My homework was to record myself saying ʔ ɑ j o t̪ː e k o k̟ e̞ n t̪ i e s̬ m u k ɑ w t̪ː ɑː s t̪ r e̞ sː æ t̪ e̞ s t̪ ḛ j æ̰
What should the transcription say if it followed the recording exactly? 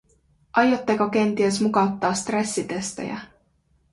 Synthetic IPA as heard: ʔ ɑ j o t̪ː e k o k̟ e̞ n t̪ i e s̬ m u k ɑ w t̪ː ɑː s t̪ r e̞ sː i t̪ e̞ s t̪ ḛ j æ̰